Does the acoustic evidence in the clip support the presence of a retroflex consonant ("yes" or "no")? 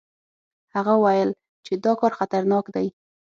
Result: no